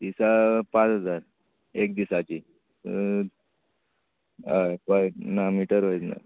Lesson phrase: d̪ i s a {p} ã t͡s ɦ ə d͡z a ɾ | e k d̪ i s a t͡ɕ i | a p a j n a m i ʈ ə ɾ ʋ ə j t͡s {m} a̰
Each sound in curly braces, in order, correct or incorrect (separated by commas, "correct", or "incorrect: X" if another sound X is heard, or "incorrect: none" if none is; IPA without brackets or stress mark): correct, incorrect: n